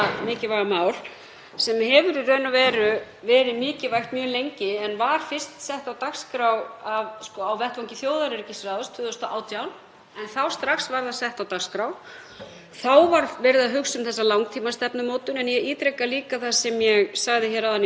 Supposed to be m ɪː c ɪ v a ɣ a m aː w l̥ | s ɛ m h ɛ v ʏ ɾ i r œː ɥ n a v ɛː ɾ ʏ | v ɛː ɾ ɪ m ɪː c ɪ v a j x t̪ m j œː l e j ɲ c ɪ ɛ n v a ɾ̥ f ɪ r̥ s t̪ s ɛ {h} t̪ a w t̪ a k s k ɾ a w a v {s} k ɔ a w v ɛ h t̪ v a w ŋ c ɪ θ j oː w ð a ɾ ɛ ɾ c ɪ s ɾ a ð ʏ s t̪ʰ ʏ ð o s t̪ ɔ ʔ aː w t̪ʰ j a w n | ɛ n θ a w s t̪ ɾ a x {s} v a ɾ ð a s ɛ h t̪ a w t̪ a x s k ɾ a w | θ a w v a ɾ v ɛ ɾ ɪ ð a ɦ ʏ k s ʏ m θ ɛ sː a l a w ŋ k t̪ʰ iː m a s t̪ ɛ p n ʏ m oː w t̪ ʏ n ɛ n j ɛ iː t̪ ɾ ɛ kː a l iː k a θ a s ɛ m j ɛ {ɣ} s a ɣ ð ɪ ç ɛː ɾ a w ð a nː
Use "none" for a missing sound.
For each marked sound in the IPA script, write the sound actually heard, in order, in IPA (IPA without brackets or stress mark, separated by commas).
h, s, s, ɣ